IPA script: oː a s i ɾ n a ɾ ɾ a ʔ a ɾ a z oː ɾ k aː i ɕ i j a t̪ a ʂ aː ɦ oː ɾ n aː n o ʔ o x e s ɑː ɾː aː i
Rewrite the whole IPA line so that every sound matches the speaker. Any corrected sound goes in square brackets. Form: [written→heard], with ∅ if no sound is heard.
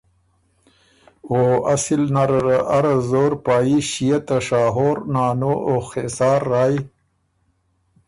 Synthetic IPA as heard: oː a s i [ɾ→l] n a ɾ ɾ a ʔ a ɾ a z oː ɾ [k→p] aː i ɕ i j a t̪ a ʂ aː ɦ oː ɾ n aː n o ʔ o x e s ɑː ɾː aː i